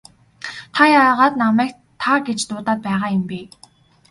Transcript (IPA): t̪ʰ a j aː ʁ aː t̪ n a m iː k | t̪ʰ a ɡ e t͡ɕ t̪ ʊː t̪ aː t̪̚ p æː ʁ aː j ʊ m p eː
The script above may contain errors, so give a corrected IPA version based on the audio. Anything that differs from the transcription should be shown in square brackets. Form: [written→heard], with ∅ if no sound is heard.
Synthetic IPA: t̪ʰ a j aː ʁ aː t̪ n a m [iː→æː] k | t̪ʰ a ɡ e t͡ɕ t̪ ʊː t̪ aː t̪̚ p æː ʁ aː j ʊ m p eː